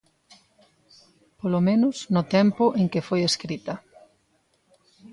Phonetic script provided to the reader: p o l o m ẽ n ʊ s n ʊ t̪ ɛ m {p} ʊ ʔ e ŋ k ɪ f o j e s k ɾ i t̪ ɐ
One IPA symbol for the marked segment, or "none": p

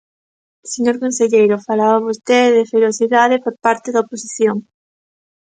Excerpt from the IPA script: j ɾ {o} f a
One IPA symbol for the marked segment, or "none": o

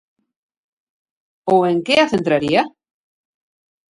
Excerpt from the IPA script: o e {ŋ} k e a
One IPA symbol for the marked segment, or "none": ŋ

